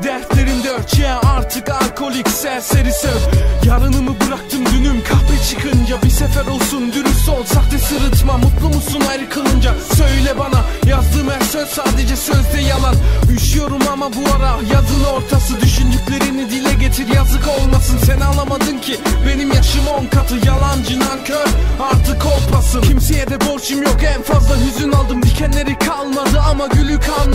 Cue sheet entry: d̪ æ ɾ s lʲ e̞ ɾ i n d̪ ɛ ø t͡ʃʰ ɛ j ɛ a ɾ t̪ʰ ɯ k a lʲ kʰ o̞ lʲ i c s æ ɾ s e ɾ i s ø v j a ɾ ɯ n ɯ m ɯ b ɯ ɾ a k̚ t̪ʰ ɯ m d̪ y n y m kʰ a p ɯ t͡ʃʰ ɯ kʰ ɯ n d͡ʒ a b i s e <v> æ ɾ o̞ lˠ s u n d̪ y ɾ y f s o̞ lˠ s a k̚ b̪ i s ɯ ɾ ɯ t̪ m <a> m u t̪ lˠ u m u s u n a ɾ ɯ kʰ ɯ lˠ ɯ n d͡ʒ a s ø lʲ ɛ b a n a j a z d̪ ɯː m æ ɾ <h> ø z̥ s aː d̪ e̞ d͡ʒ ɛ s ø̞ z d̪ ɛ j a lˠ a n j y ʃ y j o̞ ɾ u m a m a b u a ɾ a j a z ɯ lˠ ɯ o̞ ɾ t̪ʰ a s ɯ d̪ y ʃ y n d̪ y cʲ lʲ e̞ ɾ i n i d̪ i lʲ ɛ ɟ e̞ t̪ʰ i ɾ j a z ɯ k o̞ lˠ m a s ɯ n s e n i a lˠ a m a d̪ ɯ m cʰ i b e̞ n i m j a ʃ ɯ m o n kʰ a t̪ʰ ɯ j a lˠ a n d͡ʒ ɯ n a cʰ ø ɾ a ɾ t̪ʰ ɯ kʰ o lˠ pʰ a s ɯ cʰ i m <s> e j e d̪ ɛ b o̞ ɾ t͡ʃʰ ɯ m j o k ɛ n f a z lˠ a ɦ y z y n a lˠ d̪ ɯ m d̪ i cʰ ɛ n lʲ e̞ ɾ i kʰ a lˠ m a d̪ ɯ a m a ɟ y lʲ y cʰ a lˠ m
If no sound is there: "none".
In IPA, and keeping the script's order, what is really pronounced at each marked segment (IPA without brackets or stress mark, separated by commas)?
f, a, s, s